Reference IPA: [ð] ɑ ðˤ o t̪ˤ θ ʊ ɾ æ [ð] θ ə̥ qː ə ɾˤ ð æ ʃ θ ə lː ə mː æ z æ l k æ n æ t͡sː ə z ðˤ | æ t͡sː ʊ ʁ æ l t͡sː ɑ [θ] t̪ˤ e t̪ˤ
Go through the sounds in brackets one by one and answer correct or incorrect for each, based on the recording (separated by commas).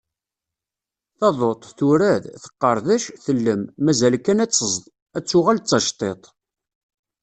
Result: incorrect, correct, incorrect